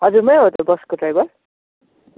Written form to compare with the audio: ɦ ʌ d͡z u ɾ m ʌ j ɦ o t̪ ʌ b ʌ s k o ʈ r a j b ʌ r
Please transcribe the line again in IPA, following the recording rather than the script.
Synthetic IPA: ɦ ʌ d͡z u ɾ m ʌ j ɦ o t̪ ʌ b ʌ s k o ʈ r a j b ʌ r